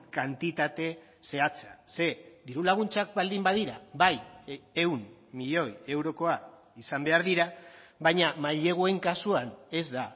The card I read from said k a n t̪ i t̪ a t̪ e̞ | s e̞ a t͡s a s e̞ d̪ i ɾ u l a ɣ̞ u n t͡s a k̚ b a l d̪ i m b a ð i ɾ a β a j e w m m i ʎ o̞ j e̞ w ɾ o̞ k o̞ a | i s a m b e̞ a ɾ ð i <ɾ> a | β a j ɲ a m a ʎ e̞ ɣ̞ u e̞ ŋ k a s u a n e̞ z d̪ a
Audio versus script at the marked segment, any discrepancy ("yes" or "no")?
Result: no